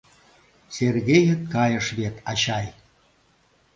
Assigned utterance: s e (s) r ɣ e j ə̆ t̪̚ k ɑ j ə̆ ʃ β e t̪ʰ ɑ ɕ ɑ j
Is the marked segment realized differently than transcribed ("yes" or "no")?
yes